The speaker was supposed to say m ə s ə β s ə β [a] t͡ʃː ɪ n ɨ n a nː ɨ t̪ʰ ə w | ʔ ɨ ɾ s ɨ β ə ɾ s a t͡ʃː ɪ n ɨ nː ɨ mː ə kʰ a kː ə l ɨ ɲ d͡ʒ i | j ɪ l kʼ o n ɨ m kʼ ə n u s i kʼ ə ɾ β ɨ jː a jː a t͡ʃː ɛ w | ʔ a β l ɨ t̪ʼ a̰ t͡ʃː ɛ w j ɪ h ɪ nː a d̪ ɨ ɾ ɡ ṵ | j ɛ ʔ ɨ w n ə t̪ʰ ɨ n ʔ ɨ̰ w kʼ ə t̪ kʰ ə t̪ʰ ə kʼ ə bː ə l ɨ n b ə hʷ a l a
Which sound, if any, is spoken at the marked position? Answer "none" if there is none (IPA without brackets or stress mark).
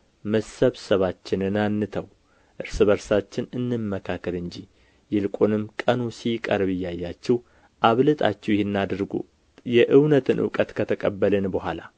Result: a